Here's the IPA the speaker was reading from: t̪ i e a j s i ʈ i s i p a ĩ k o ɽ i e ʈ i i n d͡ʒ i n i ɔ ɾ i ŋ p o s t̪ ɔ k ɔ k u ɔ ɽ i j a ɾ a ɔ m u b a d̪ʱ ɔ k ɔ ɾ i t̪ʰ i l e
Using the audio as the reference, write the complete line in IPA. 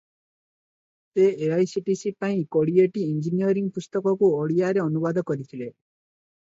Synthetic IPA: t̪ e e a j s i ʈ i s i p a ĩ k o ɽ i e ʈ i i n d͡ʒ i n i ɔ ɾ i ŋ p u s t̪ ɔ k ɔ k u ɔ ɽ i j a ɾ e ɔ n u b a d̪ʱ ɔ k ɔ ɾ i t̪ʰ i l e